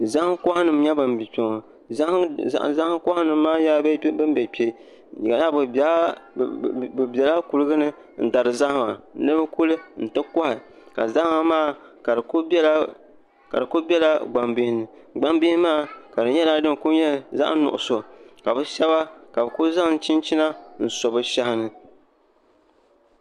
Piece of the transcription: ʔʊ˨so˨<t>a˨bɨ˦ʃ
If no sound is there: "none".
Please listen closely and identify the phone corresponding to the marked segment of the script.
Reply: k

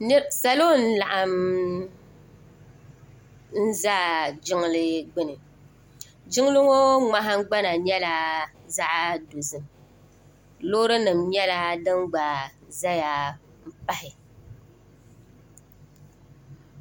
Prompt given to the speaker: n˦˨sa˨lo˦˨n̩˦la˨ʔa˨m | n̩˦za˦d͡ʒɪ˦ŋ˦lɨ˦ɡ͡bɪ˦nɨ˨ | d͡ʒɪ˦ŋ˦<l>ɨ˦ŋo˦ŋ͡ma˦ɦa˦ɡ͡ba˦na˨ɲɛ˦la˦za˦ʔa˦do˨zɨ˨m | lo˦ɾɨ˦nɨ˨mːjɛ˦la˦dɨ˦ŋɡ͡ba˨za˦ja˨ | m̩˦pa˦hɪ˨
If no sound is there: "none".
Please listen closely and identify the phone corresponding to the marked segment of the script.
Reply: l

